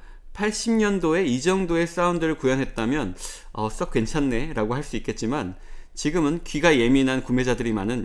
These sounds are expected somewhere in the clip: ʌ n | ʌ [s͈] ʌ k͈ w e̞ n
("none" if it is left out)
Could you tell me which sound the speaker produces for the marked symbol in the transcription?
s͈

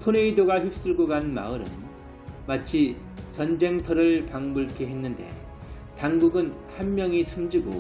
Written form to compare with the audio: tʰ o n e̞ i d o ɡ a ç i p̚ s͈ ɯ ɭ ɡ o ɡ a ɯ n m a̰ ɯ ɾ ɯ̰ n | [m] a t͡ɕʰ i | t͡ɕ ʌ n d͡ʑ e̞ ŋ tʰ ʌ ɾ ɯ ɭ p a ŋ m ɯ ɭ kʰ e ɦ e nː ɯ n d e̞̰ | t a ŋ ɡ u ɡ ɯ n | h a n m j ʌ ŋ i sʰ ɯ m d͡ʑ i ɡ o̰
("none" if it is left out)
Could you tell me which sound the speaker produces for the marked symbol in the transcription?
m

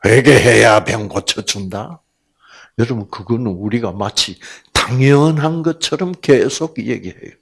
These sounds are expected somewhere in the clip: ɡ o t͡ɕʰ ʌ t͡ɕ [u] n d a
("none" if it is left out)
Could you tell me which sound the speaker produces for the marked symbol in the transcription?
u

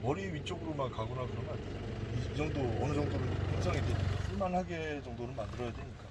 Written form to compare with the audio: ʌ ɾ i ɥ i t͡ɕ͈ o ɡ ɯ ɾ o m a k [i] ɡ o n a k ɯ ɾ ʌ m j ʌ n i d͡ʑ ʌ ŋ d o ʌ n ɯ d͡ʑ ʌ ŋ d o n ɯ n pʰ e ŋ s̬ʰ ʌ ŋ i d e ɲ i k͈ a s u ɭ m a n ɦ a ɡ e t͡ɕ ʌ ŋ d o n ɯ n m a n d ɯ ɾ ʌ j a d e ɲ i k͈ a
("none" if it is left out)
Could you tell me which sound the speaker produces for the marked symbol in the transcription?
a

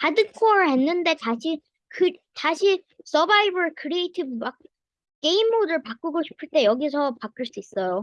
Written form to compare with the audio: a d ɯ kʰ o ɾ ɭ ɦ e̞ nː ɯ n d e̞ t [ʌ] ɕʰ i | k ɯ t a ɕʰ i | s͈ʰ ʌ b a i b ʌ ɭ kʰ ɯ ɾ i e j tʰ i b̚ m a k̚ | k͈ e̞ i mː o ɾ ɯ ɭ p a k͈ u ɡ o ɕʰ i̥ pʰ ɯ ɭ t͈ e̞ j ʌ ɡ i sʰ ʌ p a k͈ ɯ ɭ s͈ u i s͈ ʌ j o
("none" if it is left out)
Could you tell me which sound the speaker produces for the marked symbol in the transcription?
a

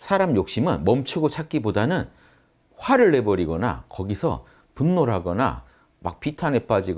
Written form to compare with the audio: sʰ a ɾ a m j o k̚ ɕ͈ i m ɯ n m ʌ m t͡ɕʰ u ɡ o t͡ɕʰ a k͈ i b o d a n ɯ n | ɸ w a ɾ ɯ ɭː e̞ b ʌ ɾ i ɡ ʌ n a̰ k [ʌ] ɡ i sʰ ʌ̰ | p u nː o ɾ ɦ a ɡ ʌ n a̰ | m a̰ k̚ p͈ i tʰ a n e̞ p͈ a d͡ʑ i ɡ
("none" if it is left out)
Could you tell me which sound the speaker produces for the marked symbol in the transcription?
ʌ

